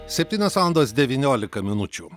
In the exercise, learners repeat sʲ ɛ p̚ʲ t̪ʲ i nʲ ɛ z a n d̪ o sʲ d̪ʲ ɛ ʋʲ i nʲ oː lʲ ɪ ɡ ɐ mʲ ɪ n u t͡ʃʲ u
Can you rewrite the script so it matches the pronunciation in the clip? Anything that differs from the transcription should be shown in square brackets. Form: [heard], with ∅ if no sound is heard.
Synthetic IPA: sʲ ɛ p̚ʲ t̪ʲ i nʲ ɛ [s] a n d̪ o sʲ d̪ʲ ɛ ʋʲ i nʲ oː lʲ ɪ [k] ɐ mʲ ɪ n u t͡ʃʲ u

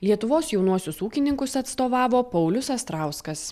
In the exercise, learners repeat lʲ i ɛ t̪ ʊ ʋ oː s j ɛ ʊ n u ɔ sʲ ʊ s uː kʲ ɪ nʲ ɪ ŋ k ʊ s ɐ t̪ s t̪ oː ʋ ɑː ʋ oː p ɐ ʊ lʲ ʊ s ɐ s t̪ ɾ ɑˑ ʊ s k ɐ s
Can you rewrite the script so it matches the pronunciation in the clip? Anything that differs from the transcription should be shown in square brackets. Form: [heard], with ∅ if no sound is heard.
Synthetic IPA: lʲ i ɛ t̪ ʊ ʋ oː s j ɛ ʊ n u ɔ sʲ ʊ s uː kʲ ɪ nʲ ɪ ŋ k ʊ s ɐ t̪ s t̪ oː ʋ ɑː ʋ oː p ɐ ʊ lʲ ʊ s ɐ s t̪ ɾ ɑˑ ʊ s k ɐ s

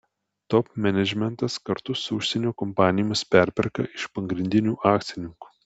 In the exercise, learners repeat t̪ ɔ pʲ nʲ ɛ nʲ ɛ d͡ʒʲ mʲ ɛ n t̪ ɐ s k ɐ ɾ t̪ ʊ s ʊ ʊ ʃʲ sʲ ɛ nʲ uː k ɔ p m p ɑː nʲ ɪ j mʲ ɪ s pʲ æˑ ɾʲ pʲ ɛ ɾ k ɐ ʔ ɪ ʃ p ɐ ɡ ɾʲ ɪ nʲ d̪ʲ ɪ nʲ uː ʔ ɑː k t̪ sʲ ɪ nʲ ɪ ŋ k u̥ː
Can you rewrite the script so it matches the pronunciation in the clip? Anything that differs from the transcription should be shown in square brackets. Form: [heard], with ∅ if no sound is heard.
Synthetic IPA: t̪ ɔ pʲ [mʲ] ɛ nʲ ɛ d͡ʒʲ mʲ ɛ n t̪ ɐ s k ɐ ɾ t̪ ʊ s ʊ ʊ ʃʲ sʲ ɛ nʲ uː k ɔ [∅] m p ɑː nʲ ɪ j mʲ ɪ s pʲ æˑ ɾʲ pʲ ɛ ɾ k ɐ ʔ ɪ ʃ p ɐ ɡ ɾʲ ɪ nʲ d̪ʲ ɪ nʲ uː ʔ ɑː k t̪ sʲ ɪ nʲ ɪ ŋ k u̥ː

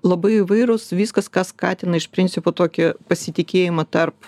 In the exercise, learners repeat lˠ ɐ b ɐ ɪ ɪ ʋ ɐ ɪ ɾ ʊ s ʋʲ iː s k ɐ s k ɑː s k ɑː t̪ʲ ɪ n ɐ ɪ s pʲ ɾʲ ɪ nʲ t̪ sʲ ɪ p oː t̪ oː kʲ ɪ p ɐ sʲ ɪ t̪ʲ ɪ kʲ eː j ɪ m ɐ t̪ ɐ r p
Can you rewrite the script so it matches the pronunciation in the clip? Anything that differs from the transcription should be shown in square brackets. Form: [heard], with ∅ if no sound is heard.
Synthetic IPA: lˠ ɐ b ɐ ɪ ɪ ʋ ɐ ɪ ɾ ʊ s ʋʲ iː s k ɐ s k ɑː s k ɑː t̪ʲ ɪ n ɐ ɪ [ʃ] pʲ ɾʲ ɪ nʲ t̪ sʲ ɪ p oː t̪ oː kʲ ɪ p ɐ sʲ ɪ t̪ʲ ɪ kʲ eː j ɪ m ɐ t̪ ɐ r p

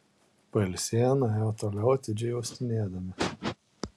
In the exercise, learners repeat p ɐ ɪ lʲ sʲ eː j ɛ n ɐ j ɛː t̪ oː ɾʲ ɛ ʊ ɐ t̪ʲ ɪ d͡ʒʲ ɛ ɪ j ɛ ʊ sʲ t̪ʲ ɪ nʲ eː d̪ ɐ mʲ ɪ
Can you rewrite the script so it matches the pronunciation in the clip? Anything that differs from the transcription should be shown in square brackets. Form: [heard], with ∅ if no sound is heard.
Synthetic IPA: p ɐ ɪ lʲ sʲ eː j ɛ n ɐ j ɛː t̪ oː [lʲ] ɛ ʊ ɐ t̪ʲ ɪ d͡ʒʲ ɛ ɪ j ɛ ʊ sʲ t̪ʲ ɪ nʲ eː d̪ ɐ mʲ ɪ

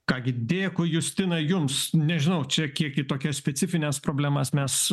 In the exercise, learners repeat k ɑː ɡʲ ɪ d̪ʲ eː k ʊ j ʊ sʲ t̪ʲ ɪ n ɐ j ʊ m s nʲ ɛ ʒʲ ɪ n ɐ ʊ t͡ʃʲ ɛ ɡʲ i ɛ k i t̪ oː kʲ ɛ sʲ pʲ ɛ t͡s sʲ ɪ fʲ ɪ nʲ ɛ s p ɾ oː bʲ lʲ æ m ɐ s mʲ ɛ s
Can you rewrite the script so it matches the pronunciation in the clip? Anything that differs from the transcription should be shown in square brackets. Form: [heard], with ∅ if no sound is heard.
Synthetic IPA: k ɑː ɡʲ ɪ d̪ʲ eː k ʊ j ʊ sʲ t̪ʲ ɪ n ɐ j ʊ m s nʲ ɛ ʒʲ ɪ n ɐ ʊ t͡ʃʲ ɛ [kʲ] i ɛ k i t̪ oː kʲ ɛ sʲ pʲ ɛ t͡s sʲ ɪ fʲ ɪ nʲ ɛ s p ɾ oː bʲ lʲ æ m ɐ s mʲ ɛ s

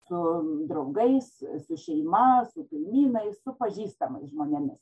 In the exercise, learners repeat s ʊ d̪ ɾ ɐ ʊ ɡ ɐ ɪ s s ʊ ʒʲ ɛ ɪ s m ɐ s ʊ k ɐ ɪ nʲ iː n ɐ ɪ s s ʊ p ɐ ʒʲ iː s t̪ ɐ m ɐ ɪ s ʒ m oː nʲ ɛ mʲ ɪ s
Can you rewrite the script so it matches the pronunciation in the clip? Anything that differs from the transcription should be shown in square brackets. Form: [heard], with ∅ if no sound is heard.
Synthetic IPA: s ʊ d̪ ɾ ɐ ʊ ɡ ɐ ɪ s s ʊ [ʃʲ] ɛ ɪ [∅] m ɐ s ʊ k ɐ ɪ [mʲ] iː n ɐ ɪ s s ʊ p ɐ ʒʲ iː s t̪ ɐ m ɐ ɪ s ʒ m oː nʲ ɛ mʲ ɪ s

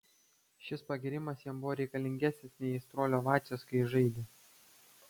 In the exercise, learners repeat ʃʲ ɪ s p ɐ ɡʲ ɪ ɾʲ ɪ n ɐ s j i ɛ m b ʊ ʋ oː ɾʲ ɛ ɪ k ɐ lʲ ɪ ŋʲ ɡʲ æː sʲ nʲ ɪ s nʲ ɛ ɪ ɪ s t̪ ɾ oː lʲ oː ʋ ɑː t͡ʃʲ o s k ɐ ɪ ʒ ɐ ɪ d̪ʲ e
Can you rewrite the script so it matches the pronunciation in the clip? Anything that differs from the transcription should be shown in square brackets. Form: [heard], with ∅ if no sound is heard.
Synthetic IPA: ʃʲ ɪ s p ɐ ɡʲ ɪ ɾʲ ɪ [m] ɐ s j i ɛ m b ʊ ʋ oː ɾʲ ɛ ɪ k ɐ lʲ ɪ ŋʲ ɡʲ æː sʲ nʲ ɪ s nʲ ɛ ɪ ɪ s t̪ ɾ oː lʲ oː ʋ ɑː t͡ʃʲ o s k ɐ ɪ ʒ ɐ ɪ d̪ʲ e

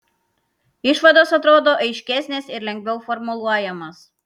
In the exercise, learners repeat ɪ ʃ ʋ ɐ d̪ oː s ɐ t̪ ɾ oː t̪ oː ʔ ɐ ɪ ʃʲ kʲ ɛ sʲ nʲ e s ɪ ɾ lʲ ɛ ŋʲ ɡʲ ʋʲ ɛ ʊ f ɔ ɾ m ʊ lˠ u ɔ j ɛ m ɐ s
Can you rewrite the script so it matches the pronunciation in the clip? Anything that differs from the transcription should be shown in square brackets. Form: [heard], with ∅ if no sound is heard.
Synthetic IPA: ɪ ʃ ʋ ɐ d̪ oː s ɐ t̪ ɾ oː [d̪] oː ʔ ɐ ɪ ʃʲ kʲ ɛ sʲ nʲ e s ɪ ɾ lʲ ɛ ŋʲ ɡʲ ʋʲ ɛ ʊ f ɔ ɾ m ʊ lˠ u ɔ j ɛ m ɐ s

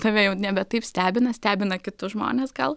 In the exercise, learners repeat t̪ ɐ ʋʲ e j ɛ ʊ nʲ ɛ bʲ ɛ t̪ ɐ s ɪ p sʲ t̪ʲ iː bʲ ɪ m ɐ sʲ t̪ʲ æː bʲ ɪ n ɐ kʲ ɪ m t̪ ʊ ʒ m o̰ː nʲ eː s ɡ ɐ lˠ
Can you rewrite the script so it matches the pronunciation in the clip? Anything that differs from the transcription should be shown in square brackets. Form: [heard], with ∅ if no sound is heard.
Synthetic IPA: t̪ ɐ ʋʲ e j ɛ ʊ nʲ ɛ bʲ ɛ t̪ ɐ [∅] ɪ p sʲ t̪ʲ [æː] bʲ ɪ [n] ɐ sʲ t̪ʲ æː bʲ ɪ n ɐ kʲ ɪ [∅] t̪ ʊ ʒ m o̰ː nʲ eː s ɡ ɐ lˠ

